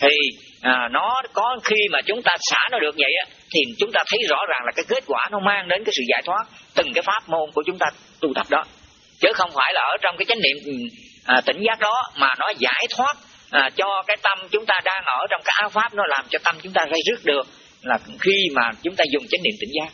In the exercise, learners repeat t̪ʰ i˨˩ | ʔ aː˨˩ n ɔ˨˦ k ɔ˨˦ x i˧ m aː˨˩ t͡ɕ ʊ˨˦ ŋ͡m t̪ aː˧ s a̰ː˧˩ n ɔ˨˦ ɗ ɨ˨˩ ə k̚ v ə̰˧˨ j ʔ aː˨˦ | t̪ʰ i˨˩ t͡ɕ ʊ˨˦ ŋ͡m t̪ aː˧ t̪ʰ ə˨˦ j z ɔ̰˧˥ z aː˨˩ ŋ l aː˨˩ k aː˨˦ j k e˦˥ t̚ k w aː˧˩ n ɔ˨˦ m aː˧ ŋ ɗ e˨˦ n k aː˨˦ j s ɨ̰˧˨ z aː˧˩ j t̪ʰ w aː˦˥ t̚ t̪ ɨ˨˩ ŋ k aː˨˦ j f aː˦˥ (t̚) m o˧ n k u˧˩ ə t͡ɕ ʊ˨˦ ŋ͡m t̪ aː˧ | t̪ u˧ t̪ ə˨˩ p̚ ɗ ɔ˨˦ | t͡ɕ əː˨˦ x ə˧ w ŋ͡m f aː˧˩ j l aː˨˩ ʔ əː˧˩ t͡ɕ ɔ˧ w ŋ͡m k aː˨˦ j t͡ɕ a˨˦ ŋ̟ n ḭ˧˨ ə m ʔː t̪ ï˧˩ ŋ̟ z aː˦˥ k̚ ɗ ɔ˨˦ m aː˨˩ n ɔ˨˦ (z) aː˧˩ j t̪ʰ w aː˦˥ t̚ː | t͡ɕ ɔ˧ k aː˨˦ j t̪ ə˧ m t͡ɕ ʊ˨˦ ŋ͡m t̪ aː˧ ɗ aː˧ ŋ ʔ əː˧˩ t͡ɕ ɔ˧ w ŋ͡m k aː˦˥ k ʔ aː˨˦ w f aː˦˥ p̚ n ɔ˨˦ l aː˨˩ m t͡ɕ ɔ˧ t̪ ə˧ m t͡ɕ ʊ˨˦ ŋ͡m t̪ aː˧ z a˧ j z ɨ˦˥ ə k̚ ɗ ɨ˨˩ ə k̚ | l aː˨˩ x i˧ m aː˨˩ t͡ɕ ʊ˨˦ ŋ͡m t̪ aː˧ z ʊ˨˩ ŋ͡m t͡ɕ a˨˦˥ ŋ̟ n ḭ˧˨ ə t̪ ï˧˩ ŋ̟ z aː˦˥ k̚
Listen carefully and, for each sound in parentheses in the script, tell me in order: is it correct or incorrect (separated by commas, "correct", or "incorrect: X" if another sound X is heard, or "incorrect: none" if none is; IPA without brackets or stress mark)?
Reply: incorrect: p̚, correct